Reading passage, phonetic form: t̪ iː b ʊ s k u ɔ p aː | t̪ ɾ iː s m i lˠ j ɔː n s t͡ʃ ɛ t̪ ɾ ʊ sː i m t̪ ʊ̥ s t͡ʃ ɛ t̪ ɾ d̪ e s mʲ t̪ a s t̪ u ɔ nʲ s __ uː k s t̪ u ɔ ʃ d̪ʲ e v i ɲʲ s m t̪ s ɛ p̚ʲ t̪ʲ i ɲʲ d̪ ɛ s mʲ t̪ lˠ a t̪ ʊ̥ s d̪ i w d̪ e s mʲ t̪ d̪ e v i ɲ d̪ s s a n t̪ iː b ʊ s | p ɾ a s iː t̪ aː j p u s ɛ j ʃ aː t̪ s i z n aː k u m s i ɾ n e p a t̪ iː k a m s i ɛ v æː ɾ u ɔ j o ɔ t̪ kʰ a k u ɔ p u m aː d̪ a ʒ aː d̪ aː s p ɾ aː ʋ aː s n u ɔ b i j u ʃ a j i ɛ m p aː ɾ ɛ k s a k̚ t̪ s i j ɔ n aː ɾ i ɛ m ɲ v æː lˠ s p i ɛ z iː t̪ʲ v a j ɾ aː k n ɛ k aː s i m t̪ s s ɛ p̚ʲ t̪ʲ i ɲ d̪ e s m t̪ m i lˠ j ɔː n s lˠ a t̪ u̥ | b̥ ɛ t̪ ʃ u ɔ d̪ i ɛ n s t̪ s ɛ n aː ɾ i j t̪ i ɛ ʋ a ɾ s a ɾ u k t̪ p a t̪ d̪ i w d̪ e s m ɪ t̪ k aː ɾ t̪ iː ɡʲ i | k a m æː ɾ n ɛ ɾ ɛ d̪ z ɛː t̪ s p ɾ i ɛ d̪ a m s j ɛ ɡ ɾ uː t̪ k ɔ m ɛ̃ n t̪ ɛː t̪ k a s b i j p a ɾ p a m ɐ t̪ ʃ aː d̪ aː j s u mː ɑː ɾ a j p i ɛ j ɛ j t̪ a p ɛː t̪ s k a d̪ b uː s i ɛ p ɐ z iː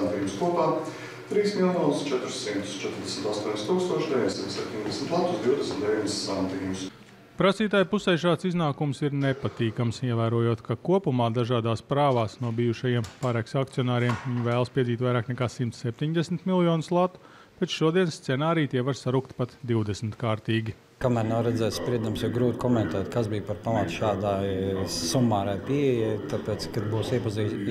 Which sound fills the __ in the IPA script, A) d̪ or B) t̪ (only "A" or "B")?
B